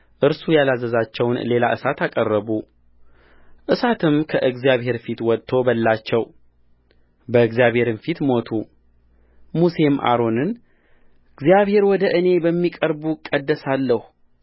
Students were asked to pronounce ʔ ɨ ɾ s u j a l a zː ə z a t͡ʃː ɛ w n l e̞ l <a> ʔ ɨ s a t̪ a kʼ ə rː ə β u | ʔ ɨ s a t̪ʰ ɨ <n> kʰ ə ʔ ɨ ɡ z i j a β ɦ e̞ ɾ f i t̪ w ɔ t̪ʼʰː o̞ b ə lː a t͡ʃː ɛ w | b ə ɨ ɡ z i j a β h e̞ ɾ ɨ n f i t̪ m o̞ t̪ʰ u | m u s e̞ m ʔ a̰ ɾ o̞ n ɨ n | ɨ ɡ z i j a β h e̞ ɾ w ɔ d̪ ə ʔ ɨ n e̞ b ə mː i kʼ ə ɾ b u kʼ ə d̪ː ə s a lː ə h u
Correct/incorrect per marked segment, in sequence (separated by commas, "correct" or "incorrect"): correct, incorrect